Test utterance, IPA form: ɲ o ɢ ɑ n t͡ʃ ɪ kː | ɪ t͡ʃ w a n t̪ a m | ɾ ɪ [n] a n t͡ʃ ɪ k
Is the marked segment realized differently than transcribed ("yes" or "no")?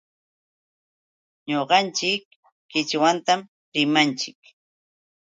yes